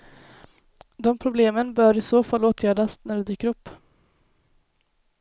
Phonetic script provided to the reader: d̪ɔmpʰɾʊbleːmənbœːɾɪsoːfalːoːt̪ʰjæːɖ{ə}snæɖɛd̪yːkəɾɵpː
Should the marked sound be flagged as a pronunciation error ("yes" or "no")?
yes